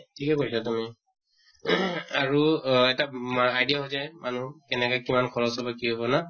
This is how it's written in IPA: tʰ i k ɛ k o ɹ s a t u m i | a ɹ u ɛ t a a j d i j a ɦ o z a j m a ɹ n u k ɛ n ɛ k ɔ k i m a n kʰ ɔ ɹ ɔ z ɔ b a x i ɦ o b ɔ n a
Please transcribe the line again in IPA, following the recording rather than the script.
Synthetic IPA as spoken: tʰ i k ɛ k o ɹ s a t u m i | a ɹ u ɛ t a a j d i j a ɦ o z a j m a n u k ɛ n ɛ k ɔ k i m a n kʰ ɔ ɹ ɔ s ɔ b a k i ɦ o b ɔ n a